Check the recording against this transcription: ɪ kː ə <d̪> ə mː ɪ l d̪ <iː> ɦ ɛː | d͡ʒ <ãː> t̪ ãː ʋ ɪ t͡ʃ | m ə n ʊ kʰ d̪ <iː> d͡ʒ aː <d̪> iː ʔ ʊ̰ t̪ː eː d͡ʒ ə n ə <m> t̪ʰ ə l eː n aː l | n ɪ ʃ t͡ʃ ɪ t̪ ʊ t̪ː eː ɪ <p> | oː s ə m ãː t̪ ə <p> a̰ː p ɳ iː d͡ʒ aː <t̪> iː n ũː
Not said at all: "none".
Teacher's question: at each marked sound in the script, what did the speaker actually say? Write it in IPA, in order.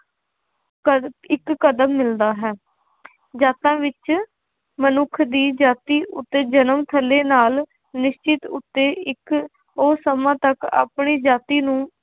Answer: d̪, aː, aː, iː, t̪, m, k, k, t̪

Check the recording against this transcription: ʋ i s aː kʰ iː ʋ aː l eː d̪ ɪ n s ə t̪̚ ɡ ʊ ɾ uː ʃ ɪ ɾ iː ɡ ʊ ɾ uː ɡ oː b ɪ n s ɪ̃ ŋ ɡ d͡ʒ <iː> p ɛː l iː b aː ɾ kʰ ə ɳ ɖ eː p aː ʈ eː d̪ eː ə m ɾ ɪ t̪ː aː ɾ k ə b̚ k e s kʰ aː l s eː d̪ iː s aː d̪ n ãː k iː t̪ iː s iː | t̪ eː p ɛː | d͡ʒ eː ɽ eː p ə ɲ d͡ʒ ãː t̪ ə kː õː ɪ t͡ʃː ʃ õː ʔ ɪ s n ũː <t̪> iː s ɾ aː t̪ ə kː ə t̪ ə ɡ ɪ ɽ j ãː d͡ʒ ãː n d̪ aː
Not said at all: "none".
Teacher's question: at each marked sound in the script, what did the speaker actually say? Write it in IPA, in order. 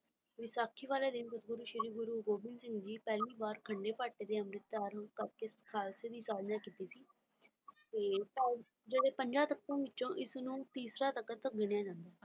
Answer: iː, t̪

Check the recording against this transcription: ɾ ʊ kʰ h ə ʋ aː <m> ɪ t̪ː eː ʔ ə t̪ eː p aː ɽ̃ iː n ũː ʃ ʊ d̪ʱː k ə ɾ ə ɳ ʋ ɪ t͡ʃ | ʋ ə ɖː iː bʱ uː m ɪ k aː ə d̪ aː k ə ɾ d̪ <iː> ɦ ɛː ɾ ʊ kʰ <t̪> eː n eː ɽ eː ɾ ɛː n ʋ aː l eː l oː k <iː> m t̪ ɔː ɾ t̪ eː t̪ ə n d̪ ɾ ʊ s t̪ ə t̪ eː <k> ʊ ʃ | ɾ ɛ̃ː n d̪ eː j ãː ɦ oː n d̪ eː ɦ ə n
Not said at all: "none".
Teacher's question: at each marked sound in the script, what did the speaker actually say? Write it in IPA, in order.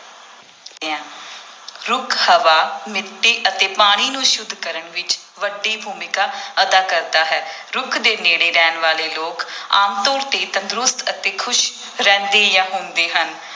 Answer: m, aː, d̪, aː, kʰ

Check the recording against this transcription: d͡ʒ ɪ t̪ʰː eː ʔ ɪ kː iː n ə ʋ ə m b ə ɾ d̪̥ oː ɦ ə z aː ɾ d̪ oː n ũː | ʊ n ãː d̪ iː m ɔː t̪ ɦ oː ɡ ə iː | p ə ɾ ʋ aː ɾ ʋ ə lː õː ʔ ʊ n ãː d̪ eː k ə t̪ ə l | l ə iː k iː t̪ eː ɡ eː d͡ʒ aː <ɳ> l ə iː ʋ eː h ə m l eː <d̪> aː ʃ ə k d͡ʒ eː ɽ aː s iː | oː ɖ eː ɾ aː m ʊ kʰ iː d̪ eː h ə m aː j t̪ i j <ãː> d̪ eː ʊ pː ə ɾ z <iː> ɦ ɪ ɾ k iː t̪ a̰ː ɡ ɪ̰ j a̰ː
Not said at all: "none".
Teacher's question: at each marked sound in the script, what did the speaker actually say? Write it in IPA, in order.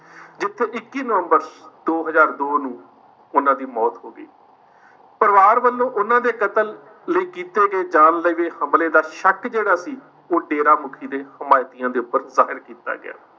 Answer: n, d̪, ãː, aː

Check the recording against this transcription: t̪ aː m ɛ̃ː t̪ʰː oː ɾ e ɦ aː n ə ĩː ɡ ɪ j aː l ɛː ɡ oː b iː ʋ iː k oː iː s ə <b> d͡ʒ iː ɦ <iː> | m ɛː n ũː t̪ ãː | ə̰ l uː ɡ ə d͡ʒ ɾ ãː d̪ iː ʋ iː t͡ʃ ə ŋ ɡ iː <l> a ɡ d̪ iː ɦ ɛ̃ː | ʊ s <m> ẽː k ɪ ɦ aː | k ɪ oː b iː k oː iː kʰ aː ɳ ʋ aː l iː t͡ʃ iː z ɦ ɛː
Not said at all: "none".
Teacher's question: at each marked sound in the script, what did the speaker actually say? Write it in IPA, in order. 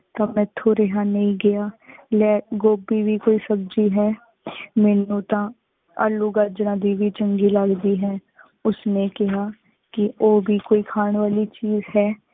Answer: b, ɛː, l, n

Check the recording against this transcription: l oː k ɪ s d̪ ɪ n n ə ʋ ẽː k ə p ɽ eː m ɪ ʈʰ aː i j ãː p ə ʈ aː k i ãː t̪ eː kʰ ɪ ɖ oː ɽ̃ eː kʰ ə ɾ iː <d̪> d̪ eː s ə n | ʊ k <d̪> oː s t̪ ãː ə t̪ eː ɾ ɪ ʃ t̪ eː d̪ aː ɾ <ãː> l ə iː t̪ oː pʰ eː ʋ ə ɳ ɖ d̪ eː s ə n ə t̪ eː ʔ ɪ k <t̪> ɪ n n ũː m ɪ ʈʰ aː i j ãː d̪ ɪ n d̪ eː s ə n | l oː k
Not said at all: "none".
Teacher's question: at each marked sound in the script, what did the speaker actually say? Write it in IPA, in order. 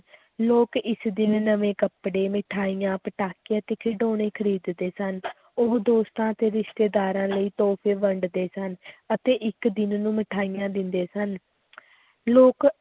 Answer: d̪, d̪, ãː, d̪

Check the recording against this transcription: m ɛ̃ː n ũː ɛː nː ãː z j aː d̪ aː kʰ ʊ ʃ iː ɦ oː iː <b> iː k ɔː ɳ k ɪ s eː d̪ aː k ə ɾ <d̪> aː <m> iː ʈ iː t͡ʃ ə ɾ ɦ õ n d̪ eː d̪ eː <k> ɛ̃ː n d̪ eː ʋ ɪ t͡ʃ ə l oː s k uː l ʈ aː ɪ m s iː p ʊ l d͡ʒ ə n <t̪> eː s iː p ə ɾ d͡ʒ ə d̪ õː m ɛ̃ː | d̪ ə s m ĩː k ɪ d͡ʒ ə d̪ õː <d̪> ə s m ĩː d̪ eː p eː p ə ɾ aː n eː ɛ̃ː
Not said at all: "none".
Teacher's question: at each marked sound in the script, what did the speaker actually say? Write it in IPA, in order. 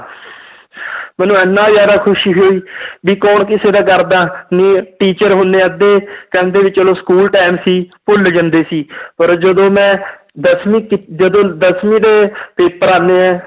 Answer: b, d̪, n, k, d̪, d̪

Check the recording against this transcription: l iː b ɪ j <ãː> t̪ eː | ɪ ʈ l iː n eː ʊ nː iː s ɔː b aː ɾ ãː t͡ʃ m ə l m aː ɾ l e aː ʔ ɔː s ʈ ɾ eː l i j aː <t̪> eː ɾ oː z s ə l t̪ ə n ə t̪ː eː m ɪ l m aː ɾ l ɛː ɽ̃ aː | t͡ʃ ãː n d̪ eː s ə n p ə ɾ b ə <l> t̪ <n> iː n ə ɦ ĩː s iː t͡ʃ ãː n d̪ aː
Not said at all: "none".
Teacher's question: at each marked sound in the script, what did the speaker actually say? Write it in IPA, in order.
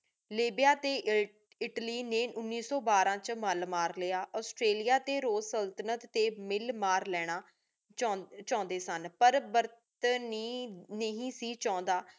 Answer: aː, t̪, ɾ, n

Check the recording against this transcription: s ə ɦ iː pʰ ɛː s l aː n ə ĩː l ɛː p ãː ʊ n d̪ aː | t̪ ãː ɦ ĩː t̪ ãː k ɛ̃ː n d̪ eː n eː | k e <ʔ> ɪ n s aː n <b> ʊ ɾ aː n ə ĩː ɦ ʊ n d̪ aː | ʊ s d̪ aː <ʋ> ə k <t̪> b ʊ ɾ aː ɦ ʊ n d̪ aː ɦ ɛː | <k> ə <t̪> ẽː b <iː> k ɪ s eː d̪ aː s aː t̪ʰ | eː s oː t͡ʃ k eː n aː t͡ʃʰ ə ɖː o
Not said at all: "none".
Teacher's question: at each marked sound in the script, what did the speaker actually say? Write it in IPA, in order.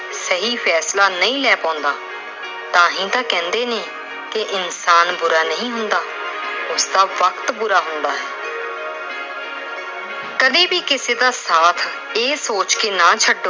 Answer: ʔ, b, ʋ, t̪, k, d̪, iː

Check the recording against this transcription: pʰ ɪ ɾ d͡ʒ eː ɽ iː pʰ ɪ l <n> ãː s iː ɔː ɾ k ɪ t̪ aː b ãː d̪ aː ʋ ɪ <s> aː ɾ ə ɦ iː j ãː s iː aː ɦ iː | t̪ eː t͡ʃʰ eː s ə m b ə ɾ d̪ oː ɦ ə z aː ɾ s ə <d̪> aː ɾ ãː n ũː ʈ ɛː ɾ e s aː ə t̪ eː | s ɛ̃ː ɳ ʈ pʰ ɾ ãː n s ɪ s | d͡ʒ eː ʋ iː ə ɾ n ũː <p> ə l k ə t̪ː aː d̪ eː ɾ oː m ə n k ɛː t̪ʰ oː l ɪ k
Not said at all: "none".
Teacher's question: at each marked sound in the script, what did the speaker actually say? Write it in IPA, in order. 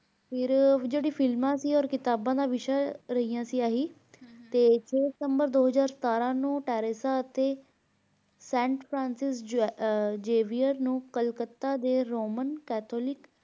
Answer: m, ʃ, t̪, k

